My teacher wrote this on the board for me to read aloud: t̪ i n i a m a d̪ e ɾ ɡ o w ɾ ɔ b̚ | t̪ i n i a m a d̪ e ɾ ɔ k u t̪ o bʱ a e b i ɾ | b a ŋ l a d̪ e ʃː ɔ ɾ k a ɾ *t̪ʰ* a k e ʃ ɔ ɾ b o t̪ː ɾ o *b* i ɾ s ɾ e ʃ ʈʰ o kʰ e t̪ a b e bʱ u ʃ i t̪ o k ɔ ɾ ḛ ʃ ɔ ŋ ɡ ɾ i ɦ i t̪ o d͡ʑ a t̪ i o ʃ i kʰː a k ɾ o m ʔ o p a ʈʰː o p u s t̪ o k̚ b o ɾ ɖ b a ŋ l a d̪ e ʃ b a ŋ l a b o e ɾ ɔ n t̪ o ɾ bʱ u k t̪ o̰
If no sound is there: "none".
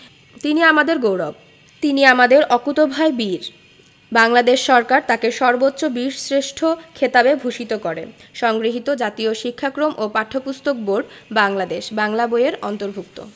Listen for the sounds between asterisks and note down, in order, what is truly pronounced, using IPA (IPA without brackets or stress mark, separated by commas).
t̪, b